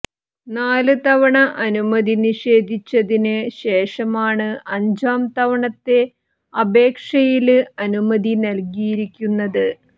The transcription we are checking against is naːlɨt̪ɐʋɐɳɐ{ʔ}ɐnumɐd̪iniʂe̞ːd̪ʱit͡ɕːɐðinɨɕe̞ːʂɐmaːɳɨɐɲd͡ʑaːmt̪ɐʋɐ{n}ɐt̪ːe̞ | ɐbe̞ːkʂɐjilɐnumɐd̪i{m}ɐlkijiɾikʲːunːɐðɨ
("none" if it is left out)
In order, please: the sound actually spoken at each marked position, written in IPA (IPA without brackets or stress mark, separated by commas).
ʔ, ɳ, n